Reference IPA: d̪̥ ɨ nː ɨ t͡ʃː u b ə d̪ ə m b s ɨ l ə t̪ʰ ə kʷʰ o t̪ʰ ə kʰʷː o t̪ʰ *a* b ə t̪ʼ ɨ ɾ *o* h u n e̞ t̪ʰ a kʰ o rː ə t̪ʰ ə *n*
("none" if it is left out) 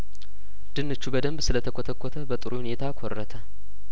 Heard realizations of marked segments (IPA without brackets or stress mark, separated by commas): ə, u, none